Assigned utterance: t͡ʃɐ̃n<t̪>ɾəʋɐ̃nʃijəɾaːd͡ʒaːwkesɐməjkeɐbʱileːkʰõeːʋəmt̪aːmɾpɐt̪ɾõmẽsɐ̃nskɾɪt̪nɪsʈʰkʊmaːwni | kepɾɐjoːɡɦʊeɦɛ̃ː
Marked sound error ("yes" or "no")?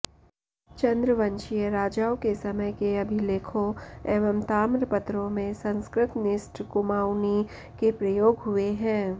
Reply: yes